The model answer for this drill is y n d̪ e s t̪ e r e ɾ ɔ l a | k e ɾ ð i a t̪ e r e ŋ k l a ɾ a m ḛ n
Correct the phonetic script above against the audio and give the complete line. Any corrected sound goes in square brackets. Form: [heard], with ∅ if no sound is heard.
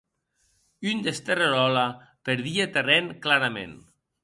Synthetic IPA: y n d̪ e s t̪ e r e ɾ ɔ l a | [p] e ɾ ð i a t̪ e r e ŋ k l a ɾ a m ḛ n